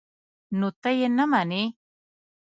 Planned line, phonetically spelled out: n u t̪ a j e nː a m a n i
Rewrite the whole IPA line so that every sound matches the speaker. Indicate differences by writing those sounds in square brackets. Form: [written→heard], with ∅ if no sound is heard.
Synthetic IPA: n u t̪ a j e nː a m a n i